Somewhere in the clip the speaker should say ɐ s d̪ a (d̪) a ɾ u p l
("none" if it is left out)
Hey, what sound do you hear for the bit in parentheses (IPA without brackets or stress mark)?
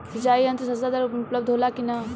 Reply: d̪